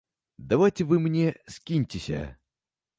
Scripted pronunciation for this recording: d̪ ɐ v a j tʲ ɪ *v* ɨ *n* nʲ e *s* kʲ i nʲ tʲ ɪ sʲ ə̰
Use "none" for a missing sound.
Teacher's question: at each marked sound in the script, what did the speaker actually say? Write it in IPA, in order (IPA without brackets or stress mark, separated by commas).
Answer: v, m, s